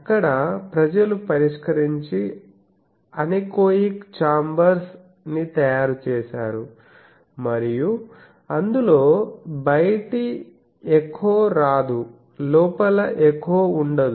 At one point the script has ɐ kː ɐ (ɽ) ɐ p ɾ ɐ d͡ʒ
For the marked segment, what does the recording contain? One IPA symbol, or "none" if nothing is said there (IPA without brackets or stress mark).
ɽ